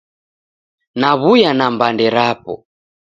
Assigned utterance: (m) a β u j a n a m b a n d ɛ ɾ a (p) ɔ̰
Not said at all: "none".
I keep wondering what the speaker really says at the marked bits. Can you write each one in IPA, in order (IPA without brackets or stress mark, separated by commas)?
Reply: n, p